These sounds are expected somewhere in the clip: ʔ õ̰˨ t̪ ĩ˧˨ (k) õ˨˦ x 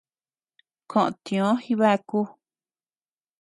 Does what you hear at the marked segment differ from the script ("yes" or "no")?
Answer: yes